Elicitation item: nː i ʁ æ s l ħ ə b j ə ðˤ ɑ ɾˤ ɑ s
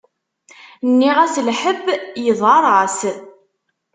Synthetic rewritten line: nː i ʁ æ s l ħ ə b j ə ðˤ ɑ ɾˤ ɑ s